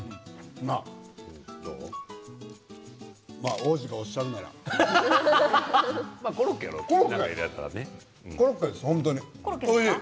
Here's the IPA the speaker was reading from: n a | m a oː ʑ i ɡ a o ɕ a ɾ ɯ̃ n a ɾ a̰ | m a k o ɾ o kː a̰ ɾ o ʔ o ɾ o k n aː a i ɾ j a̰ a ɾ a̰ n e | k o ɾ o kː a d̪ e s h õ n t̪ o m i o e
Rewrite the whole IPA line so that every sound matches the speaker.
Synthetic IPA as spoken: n a | m a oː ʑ i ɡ a o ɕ a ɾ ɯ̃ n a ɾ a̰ | m a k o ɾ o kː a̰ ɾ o k o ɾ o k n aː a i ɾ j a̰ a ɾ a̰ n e | k o ɾ o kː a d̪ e s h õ n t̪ o ɲ i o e